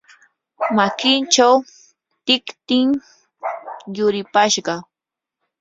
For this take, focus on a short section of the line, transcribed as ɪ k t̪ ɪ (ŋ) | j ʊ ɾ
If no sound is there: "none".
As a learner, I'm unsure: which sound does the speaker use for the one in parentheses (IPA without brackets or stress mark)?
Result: ŋ